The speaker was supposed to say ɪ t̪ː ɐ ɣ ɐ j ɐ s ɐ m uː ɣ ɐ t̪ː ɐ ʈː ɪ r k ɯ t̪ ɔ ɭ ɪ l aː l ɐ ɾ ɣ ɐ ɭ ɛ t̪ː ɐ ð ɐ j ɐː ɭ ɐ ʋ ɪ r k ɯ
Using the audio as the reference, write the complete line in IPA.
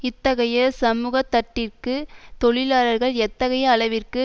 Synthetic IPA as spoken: ɪ t̪ː ɐ ɣ ɐ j ɐ s ɐ m uː ɣ ɐ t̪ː ɐ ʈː ɪ r k ɯ t̪ ɔ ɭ ɪ l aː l ɐ ɾ ɣ ɐ ɭ ɛ t̪ː ɐ ɣ ɐ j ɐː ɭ ɐ ʋ ɪ r k ɯ